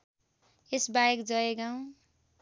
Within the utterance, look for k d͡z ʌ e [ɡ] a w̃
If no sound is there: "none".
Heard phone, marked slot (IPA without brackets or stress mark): ɡ